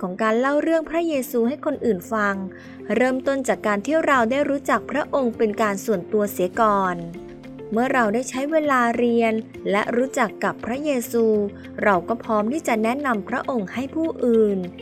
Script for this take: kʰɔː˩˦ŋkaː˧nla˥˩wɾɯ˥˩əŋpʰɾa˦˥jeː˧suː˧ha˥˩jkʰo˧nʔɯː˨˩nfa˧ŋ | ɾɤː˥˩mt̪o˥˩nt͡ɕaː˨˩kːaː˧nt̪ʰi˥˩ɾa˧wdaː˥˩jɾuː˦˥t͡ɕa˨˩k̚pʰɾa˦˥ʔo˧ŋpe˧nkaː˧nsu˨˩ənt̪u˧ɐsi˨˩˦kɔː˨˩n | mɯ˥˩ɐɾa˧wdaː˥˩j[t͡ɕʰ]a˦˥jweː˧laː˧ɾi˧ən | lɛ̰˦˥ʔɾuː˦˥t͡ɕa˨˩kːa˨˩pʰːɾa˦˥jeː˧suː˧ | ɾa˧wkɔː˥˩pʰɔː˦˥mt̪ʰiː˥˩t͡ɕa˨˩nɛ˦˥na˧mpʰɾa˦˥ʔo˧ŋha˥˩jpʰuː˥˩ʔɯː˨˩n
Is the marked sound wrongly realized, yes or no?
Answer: no